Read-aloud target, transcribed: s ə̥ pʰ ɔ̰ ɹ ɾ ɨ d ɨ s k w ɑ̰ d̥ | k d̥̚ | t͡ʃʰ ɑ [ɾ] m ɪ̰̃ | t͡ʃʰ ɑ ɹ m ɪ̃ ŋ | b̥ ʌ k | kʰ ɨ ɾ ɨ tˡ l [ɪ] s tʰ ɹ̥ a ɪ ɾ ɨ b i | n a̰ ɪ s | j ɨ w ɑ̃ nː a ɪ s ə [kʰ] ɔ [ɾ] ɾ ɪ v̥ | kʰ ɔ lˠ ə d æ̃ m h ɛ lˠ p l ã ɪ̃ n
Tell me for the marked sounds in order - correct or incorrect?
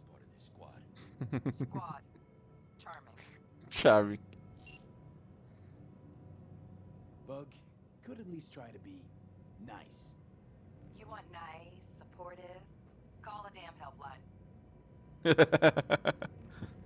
incorrect, incorrect, incorrect, incorrect

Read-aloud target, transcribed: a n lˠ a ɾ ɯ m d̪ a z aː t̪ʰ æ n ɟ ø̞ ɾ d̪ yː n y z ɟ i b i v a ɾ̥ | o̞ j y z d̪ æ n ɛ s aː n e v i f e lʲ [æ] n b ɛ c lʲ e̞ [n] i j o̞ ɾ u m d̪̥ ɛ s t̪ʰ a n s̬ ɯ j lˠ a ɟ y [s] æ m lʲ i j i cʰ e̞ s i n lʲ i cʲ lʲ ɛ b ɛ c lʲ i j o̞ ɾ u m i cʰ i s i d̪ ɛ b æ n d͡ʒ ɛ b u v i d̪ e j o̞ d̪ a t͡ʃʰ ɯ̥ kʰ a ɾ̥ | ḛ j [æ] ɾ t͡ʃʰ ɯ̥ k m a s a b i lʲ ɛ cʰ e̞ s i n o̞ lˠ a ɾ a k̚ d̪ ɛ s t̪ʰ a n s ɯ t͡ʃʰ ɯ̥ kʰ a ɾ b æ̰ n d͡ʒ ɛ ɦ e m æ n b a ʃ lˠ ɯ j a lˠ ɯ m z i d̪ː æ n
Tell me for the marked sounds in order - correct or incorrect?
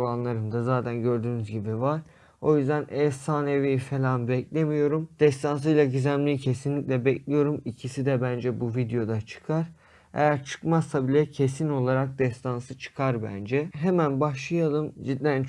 incorrect, incorrect, incorrect, correct

